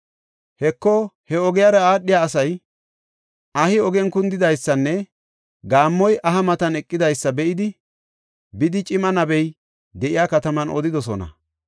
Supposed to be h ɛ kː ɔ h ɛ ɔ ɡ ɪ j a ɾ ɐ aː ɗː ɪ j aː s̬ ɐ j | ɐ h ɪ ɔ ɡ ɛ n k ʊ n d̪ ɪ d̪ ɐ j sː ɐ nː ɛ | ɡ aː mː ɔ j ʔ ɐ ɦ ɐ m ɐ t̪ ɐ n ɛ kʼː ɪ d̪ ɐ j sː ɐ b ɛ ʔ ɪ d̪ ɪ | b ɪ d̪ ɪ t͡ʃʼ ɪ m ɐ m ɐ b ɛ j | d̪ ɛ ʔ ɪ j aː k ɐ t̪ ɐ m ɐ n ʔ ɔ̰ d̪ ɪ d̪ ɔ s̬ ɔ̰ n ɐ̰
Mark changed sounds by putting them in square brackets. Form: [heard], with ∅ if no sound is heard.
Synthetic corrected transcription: h ɛ kː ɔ h ɛ ɔ ɡ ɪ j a ɾ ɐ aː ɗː ɪ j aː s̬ ɐ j | ɐ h ɪ ɔ ɡ ɛ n k ʊ n d̪ ɪ d̪ ɐ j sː ɐ nː ɛ | ɡ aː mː ɔ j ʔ ɐ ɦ ɐ m ɐ t̪ ɐ n ɛ kʼː ɪ d̪ ɐ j sː ɐ b ɛ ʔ ɪ d̪ ɪ | b ɪ d̪ ɪ t͡ʃʼ ɪ m ɐ [n] ɐ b ɛ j | d̪ ɛ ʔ ɪ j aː k ɐ t̪ ɐ m ɐ n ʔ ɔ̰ d̪ ɪ d̪ ɔ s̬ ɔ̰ n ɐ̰